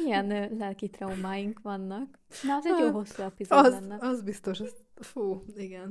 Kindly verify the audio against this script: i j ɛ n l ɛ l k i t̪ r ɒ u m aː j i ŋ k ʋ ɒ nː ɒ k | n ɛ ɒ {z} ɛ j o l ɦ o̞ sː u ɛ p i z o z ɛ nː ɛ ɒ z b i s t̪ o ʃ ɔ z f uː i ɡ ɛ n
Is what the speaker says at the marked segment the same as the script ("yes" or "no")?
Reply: yes